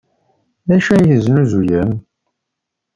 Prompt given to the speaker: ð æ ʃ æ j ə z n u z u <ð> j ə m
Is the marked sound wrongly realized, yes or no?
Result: yes